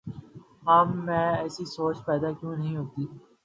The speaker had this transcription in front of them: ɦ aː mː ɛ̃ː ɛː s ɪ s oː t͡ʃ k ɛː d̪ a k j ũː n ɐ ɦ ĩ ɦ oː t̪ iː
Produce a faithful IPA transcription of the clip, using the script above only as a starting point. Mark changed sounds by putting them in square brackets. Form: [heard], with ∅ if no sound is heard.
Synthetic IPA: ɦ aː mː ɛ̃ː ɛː s [i] s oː t͡ʃ [p] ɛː d̪ a k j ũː n ɐ ɦ ĩ ɦ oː t̪ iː